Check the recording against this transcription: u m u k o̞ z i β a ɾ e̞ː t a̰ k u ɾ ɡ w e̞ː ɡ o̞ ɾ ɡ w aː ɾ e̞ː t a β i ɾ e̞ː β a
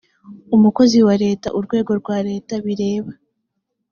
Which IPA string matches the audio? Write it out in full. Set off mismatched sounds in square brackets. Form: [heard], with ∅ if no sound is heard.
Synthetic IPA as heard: u m u k o̞ z i [w] a ɾ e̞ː t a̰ [ʔ] u ɾ ɡ w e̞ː ɡ o̞ ɾ ɡ w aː ɾ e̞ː t a β i ɾ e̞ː β a